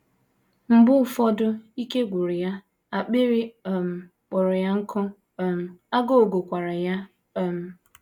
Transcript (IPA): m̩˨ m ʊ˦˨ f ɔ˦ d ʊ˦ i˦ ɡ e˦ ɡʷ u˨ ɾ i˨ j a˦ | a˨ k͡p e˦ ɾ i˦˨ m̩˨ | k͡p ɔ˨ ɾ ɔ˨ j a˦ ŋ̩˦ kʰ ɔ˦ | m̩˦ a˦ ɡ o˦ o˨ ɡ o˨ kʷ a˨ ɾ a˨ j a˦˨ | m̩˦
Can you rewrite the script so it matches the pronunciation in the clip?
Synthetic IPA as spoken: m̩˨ b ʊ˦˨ f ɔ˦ d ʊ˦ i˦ k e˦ ɡʷ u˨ ɾ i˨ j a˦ | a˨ k͡p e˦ ɾ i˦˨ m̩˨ | k͡p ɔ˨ ɾ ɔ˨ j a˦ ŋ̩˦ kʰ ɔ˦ | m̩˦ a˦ ɡ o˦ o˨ ɡ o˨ kʷ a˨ ɾ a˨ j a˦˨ | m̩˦